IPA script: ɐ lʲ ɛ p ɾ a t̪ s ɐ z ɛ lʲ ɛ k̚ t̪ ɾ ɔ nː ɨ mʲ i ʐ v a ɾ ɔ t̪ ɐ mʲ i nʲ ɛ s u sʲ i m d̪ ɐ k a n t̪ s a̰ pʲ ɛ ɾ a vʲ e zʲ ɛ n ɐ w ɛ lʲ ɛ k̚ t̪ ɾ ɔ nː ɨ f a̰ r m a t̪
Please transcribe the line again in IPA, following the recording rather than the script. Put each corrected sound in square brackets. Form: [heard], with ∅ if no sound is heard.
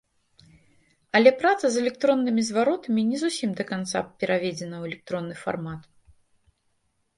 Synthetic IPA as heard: ɐ lʲ ɛ p ɾ a t̪ s ɐ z ɛ lʲ ɛ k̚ t̪ ɾ ɔ nː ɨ mʲ i [z] v a ɾ ɔ t̪ ɐ mʲ i nʲ ɛ [z] u sʲ i m d̪ ɐ k a n t̪ s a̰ pʲ ɛ ɾ a vʲ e [d͡zʲ] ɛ n ɐ w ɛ lʲ ɛ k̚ t̪ ɾ ɔ nː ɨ f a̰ r m a t̪